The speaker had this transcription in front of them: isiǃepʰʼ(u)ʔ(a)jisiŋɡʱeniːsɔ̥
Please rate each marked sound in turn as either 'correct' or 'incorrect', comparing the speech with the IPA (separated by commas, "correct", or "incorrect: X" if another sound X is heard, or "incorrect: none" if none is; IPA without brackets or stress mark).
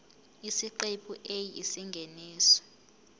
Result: correct, incorrect: e